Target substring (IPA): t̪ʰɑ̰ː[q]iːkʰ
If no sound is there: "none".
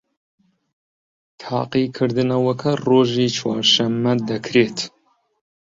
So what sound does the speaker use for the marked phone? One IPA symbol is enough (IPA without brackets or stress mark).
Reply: q